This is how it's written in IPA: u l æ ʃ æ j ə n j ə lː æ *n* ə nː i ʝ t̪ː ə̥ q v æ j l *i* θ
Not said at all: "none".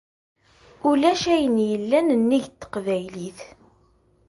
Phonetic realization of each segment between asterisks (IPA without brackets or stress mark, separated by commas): n, i